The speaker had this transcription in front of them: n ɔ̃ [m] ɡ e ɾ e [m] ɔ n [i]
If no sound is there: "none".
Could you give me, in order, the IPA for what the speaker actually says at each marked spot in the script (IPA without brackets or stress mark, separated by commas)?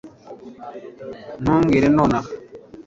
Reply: ŋ, n, a